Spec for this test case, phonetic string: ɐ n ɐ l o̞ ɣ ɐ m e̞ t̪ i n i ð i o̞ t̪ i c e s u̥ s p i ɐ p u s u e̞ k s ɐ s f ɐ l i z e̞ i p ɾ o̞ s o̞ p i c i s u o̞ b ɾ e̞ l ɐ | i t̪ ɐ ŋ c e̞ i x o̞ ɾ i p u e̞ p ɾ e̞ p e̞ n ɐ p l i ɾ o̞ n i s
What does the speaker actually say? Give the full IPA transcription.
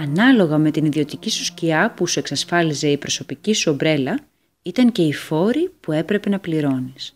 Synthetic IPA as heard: ɐ n ɐ l o̞ ɣ ɐ m e̞ t̪ i n i ð i o̞ t̪ i c i s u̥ s c i ɐ p u s u e̞ k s ɐ s f ɐ l i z e̞ i p ɾ o̞ s o̞ p i c i s u o̞ b ɾ e̞ l ɐ | i t̪ ɐ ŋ c e̞ i f o̞ ɾ i p u e̞ p ɾ e̞ p e̞ n ɐ p l i ɾ o̞ n i s